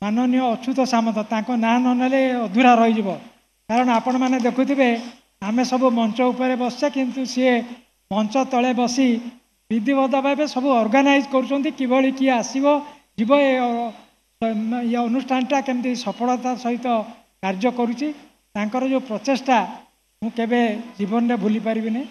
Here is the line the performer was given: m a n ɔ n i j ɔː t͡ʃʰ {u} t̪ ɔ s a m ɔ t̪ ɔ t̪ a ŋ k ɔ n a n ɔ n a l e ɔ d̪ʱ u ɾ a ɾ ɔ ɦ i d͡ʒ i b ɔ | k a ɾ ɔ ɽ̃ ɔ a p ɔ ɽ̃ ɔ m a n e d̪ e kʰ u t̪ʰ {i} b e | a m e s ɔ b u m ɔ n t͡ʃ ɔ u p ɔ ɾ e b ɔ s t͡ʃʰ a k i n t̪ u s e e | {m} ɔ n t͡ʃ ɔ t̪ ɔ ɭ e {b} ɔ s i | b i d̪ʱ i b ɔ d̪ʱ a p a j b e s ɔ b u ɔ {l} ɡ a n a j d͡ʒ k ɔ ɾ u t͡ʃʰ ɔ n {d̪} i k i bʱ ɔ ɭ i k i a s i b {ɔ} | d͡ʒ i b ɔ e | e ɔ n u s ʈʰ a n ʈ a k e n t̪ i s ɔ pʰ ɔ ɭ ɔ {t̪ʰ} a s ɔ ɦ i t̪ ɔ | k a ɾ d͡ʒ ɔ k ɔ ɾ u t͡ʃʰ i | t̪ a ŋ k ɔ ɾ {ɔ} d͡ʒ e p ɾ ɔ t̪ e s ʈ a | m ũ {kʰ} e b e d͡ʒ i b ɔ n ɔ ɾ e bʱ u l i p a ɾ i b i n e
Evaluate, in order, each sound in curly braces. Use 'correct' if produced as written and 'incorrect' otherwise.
correct, correct, correct, correct, incorrect, incorrect, correct, incorrect, correct, incorrect

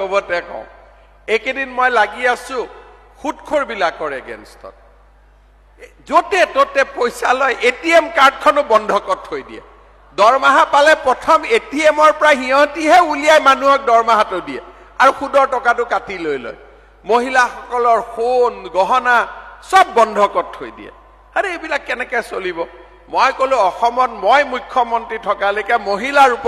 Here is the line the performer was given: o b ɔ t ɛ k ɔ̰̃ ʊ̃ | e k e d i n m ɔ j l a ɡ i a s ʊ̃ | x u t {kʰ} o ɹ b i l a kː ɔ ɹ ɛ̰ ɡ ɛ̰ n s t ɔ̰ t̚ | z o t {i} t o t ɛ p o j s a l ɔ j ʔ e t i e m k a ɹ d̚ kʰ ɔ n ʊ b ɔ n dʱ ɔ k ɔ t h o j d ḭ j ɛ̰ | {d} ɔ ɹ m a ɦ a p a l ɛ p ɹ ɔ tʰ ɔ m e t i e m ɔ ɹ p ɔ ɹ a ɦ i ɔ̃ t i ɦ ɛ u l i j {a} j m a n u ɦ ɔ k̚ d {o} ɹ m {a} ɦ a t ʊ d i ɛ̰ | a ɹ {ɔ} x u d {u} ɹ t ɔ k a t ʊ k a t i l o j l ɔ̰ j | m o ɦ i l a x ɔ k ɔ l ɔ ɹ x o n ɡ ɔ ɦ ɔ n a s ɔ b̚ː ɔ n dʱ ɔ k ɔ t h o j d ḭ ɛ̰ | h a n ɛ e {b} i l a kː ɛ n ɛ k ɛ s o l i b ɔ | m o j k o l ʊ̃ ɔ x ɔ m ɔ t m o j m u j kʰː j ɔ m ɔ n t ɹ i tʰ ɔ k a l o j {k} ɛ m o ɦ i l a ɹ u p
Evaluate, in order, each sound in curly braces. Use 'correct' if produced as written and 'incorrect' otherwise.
correct, incorrect, correct, correct, incorrect, correct, incorrect, incorrect, correct, correct

